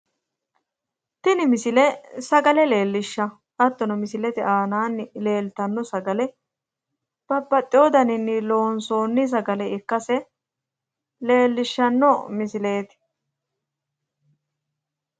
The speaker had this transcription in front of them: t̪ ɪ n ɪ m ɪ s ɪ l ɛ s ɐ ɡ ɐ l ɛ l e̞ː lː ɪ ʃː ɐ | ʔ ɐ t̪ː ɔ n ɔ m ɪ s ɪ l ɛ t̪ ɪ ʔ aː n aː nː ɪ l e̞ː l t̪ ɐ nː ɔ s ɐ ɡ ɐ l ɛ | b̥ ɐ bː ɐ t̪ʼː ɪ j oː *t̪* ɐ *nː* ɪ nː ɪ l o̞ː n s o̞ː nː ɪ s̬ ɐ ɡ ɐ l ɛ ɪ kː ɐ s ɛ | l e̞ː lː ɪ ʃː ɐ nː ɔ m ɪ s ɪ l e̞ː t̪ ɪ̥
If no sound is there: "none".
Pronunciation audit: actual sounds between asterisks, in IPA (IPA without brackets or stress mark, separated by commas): d̪, n